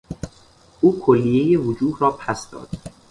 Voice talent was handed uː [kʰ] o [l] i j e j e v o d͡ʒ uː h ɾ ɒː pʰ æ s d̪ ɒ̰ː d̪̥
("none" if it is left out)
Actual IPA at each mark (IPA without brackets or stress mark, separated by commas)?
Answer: kʰ, lː